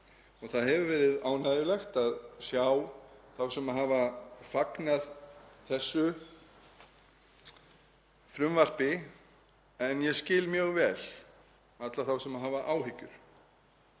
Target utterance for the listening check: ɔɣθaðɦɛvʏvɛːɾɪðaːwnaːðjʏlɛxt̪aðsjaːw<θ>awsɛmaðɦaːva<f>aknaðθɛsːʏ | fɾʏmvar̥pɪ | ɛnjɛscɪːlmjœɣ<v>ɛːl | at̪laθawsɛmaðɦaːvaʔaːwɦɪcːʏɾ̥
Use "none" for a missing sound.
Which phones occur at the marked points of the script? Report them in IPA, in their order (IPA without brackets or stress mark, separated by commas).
θ, f, v